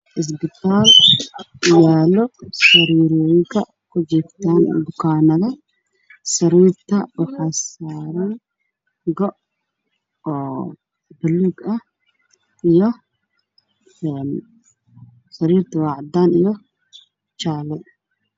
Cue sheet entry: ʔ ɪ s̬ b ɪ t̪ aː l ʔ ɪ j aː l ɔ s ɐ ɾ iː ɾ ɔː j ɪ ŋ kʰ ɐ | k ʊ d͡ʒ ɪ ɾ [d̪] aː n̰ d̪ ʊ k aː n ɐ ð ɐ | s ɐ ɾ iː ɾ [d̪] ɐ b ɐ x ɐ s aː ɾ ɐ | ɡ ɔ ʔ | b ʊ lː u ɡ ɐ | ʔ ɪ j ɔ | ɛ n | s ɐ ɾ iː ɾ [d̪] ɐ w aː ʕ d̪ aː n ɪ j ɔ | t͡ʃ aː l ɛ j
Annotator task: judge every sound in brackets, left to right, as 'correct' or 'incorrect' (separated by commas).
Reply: incorrect, incorrect, incorrect